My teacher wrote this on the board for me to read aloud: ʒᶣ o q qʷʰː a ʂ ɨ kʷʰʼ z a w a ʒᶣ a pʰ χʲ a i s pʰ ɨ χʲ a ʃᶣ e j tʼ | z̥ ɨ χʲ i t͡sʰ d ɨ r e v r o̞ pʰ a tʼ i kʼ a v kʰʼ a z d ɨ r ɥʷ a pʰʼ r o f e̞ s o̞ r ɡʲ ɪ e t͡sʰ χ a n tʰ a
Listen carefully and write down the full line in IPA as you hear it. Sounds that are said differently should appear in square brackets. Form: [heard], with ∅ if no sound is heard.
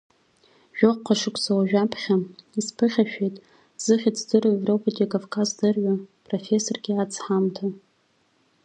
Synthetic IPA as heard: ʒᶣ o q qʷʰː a ʂ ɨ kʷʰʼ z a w a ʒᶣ a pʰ χʲ a i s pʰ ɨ χʲ a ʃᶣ e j tʼ | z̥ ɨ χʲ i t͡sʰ d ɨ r e v r o̞ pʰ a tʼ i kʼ a v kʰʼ a z d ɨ r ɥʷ a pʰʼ r o f e̞ s o̞ r ɡʲ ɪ [a] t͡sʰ [ħ] a [m] tʰ a

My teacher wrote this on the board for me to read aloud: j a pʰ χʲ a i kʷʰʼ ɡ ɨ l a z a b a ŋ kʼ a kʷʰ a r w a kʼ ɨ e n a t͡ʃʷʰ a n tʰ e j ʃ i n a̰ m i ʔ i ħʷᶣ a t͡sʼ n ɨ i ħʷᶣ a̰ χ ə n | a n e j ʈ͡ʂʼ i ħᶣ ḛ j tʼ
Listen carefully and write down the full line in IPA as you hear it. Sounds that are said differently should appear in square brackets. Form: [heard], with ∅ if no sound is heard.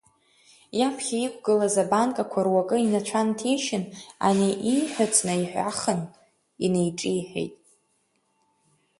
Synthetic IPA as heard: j a pʰ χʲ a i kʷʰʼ ɡ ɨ l a z a b a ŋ kʼ a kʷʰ a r w a kʼ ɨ [i] n a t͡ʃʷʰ a n tʰ e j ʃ [ɪ] n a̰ [n] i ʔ i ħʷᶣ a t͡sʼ n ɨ i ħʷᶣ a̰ χ ə n | [i] n e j ʈ͡ʂʼ i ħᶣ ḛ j tʼ

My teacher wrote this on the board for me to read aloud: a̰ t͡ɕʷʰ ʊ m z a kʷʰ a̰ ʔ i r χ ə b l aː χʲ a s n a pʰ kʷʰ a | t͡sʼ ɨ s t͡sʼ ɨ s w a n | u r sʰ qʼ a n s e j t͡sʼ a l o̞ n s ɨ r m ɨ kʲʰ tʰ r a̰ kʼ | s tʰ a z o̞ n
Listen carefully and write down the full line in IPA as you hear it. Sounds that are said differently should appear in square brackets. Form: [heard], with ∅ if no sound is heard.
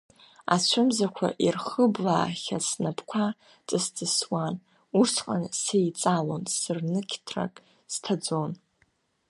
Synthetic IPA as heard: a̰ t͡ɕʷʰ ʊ m z a kʷʰ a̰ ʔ i r χ ə b l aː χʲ a s n a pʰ kʷʰ a | t͡sʼ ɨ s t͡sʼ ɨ s w a n | u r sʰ qʼ a n s e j t͡sʼ a l o̞ n s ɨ r [n] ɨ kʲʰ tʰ r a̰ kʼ | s tʰ a [d͡z] o̞ n

